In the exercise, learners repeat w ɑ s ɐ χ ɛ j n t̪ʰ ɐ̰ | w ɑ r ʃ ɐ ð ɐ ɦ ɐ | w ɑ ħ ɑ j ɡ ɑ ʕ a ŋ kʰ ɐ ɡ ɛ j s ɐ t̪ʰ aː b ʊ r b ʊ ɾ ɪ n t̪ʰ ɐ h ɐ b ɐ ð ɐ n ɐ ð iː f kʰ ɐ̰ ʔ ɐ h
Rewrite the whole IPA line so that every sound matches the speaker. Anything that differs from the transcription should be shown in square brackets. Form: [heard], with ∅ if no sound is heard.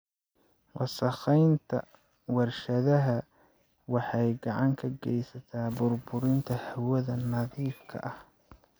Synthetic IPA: w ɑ s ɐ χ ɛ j n t̪ʰ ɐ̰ | w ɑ r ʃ ɐ ð ɐ ɦ ɐ | w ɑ ħ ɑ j ɡ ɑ ʕ [ɑ] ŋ kʰ ɐ ɡ ɛ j s ɐ t̪ʰ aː b ʊ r b ʊ ɾ ɪ n t̪ʰ ɐ h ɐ [w] ɐ ð ɐ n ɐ ð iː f kʰ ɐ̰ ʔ ɐ h

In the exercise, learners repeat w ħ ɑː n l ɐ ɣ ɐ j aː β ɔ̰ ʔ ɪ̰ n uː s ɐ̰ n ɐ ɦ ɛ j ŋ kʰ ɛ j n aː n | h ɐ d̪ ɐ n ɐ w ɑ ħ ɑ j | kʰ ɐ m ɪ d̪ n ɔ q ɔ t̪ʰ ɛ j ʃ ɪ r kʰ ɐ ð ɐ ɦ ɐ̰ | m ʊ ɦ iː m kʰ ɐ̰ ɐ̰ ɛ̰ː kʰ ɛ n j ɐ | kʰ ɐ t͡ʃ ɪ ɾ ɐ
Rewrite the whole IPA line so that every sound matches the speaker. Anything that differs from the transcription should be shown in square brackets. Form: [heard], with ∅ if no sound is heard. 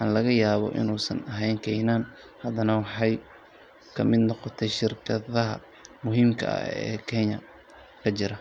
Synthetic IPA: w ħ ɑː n l ɐ ɣ ɐ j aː β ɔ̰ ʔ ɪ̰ n uː s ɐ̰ n ɐ ɦ ɛ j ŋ kʰ ɛ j n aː n | h ɐ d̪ ɐ n ɐ w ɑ ħ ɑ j | kʰ ɐ m ɪ d̪ n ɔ q ɔ t̪ʰ ɛ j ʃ ɪ r kʰ ɐ ð ɐ ɦ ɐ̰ | m ʊ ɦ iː m kʰ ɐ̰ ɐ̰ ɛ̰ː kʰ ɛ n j ɐ | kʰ ɐ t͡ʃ ɪ ɾ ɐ

